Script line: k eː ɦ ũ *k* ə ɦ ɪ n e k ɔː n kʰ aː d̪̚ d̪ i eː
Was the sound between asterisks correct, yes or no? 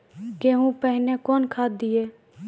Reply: no